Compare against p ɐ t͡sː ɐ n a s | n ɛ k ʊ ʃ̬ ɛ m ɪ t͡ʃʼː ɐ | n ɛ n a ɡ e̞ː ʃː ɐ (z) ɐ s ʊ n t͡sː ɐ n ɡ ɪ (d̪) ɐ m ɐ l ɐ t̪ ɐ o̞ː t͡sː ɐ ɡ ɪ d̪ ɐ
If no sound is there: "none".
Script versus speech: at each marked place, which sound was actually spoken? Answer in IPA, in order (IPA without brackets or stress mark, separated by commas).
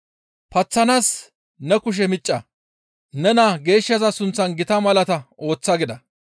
z, t̪